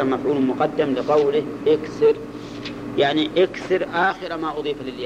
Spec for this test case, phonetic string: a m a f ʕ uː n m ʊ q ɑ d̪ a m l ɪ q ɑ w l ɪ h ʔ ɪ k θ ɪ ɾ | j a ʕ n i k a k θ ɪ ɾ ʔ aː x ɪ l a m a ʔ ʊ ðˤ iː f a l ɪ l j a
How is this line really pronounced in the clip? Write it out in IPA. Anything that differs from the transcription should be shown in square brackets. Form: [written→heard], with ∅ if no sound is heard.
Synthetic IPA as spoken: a m a f ʕ uː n m ʊ q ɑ [d̪→d̪ː] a m l ɪ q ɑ w l ɪ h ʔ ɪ k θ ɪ ɾ | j a ʕ n i [k→ʔ] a k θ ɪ ɾ ʔ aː x ɪ [l→ɾ] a m a ʔ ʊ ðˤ iː f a l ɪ l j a